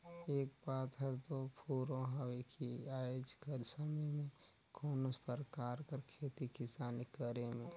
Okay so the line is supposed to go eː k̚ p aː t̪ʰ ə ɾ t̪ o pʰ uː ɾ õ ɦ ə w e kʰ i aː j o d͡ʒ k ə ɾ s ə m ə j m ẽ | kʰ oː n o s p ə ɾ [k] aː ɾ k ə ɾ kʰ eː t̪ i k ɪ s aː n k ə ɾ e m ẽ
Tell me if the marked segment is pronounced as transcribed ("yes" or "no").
yes